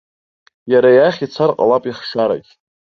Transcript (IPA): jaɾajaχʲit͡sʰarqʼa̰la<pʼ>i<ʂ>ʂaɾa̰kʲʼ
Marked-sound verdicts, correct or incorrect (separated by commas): correct, incorrect